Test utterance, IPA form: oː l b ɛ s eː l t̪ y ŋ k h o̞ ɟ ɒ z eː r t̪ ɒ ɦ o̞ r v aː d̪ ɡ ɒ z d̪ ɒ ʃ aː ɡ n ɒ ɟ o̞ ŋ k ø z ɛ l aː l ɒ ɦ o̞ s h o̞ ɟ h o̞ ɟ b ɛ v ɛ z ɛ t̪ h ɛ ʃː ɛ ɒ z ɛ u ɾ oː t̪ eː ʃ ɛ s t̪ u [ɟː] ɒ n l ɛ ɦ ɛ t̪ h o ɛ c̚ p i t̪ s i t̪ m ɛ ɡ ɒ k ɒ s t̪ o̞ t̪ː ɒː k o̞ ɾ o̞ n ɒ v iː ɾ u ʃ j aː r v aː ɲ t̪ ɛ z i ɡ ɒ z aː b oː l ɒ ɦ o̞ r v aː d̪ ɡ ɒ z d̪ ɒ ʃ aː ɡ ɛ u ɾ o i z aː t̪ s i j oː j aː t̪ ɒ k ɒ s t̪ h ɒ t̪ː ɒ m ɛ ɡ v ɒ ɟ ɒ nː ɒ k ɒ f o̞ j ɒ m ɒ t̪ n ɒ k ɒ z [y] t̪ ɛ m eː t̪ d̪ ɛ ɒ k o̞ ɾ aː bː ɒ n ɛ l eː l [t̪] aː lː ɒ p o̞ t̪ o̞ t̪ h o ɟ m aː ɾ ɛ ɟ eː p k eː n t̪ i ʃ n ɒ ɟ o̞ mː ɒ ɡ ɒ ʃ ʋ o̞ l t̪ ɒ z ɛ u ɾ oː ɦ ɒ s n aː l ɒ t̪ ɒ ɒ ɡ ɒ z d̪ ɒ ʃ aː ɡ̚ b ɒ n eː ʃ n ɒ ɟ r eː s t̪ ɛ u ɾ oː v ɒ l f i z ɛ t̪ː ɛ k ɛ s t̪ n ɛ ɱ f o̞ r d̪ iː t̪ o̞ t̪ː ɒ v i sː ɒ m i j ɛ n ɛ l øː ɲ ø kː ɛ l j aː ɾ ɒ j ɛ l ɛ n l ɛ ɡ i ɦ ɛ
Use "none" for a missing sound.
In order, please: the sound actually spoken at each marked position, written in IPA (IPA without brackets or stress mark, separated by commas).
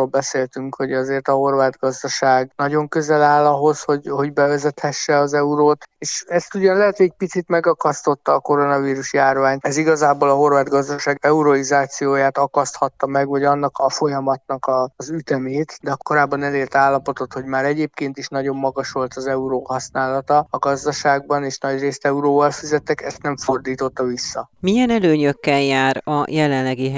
ɟ, y, t̪